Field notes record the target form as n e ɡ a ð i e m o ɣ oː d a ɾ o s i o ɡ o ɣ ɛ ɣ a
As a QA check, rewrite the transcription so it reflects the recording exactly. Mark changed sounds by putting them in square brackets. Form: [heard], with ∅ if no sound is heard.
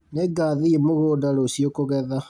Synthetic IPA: n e ɡ a ð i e m o ɣ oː d a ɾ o s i o [k] o ɣ ɛ [ð] a